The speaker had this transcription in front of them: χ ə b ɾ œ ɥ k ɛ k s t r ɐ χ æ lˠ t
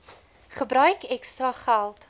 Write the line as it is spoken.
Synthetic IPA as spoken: χ ə b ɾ œ ɥ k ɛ k s t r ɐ χ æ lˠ t